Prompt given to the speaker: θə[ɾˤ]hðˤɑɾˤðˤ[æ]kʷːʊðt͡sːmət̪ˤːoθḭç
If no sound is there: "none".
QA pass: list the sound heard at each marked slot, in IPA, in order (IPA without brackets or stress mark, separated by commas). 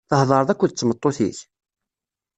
none, æ